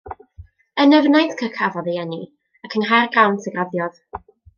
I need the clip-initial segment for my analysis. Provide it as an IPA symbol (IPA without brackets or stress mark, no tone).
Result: ə